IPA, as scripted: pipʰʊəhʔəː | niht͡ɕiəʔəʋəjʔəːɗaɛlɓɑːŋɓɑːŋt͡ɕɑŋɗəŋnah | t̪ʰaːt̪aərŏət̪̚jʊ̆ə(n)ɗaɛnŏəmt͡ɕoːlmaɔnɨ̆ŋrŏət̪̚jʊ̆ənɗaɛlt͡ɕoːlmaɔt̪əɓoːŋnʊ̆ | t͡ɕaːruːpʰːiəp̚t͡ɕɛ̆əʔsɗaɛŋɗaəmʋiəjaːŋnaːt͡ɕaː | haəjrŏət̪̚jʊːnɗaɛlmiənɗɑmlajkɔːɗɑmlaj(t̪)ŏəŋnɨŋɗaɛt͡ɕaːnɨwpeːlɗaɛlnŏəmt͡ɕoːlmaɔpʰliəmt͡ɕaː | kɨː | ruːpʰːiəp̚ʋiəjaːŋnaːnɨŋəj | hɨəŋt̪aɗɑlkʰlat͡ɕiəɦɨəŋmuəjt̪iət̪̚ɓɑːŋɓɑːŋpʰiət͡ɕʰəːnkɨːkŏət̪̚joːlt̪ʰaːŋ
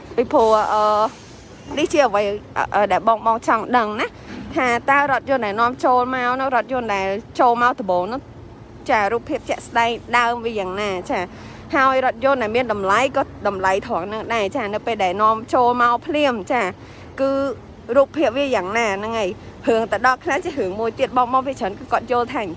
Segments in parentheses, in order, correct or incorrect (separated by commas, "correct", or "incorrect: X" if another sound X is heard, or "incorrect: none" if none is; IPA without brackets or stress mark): correct, incorrect: t̪ʰ